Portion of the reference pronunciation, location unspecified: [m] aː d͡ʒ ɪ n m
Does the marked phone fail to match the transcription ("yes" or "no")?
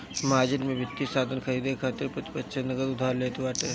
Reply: no